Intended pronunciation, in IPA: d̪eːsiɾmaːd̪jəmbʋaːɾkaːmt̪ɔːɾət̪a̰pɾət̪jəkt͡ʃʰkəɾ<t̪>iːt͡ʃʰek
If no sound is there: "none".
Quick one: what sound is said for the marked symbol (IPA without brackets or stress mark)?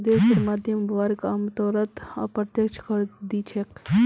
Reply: d̪